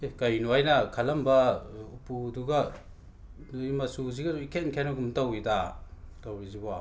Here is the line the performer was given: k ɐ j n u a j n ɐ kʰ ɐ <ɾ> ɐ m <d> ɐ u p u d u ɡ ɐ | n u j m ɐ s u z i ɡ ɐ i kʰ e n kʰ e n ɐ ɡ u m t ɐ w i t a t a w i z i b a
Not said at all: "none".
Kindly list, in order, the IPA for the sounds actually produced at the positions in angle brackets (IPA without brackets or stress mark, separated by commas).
l, b